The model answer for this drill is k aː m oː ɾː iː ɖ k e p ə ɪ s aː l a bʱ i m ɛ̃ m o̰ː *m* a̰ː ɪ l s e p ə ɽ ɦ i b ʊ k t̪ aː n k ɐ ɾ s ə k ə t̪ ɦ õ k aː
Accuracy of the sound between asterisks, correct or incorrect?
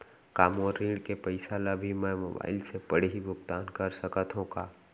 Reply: incorrect